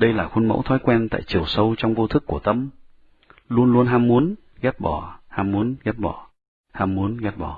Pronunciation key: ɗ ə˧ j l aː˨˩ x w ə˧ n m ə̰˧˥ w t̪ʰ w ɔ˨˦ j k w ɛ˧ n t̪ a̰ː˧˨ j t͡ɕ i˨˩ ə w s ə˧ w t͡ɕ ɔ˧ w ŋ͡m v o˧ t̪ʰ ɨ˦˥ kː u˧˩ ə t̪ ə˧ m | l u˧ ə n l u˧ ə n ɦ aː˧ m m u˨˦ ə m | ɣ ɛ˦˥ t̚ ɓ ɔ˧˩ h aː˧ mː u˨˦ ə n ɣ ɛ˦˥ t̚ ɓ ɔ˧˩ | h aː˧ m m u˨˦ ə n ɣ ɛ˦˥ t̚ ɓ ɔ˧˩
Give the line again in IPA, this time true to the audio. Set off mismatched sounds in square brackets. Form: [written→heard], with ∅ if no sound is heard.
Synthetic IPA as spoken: ɗ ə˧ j l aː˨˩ x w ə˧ n m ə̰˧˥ w t̪ʰ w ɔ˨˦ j k w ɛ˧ n t̪ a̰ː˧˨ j t͡ɕ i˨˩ ə w s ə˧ w t͡ɕ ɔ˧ w ŋ͡m v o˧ t̪ʰ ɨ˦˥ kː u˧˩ ə t̪ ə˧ m | l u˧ ə n l u˧ ə n ɦ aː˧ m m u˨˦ ə [m→n] | ɣ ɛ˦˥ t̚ ɓ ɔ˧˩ h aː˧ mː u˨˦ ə n ɣ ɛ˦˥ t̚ ɓ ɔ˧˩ | h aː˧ m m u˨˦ ə n ɣ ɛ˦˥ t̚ ɓ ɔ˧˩